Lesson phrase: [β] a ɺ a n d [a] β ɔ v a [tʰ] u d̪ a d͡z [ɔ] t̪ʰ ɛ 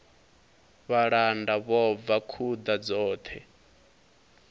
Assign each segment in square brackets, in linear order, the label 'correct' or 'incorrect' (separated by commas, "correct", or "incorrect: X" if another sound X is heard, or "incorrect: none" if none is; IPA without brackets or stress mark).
correct, correct, incorrect: kʰ, incorrect: ɔː